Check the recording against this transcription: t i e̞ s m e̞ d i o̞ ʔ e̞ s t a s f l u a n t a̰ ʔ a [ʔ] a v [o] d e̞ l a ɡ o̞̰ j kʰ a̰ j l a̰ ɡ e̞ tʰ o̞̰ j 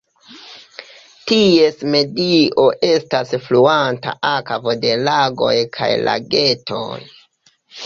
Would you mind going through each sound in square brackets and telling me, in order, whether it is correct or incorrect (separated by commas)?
incorrect, correct